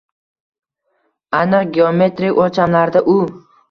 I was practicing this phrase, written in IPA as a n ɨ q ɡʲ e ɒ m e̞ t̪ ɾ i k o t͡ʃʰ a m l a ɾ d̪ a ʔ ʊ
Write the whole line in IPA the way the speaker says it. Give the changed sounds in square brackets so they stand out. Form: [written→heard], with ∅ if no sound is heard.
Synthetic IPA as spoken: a n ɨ q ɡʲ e [ɒ→o] m e̞ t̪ ɾ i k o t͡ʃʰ a m l a ɾ d̪ a ʔ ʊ